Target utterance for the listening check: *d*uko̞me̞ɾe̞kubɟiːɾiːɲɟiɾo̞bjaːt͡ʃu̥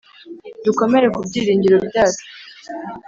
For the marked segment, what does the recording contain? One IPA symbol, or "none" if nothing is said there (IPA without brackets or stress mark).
d